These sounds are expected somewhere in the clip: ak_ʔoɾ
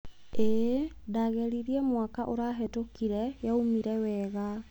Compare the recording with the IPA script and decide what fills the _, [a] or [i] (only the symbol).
a